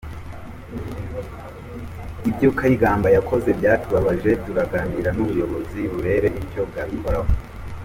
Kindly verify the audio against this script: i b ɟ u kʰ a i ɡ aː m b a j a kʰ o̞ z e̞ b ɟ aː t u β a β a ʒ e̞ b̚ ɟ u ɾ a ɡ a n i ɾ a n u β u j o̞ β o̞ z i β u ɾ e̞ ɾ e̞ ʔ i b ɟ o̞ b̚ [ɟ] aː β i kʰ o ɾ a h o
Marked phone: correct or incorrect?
incorrect